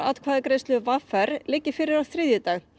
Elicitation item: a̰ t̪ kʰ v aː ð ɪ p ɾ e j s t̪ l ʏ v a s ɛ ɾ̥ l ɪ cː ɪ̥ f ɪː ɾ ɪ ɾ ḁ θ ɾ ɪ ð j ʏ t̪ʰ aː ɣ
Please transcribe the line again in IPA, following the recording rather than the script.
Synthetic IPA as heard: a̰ t̪ kʰ v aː ð ɪ k ɾ e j s t̪ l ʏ v a f ɛ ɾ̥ l ɪ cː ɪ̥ f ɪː ɾ ɪ ɾ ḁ θ ɾ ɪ ð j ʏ t̪ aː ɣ